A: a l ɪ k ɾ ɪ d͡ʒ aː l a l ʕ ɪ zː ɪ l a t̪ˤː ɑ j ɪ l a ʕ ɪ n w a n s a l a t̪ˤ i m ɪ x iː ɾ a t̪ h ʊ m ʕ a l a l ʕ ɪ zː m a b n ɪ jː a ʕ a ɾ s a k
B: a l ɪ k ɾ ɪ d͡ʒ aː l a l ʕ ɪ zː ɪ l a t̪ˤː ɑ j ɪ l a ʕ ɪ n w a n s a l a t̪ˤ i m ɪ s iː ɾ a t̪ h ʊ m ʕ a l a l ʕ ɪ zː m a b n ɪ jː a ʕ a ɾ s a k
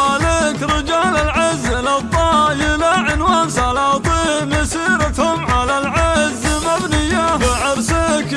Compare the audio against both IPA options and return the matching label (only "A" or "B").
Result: B